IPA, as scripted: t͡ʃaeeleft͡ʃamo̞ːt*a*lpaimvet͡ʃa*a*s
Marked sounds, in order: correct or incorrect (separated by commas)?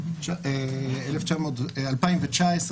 correct, incorrect